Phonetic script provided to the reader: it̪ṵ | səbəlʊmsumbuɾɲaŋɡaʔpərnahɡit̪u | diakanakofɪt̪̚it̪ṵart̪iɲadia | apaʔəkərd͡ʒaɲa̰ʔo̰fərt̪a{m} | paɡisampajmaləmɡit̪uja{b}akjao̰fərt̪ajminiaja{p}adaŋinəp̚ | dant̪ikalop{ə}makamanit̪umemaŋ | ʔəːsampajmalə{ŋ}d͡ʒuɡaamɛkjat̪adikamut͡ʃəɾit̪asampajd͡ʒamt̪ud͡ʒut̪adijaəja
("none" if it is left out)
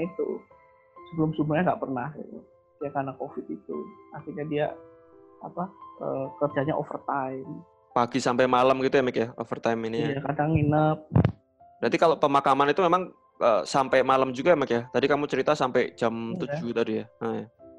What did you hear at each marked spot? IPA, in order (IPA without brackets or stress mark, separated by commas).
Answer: m, m, k, ə, m